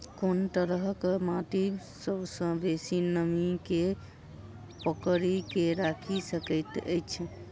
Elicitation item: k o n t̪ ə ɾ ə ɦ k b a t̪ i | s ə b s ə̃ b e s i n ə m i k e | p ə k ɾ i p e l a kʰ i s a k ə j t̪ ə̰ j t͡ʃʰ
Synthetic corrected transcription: k o n t̪ ə ɾ ə ɦ k m a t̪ i | s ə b s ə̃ b e s i n ə m i k e | p ə k ɾ i k e ɾ a kʰ i s ə k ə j t̪ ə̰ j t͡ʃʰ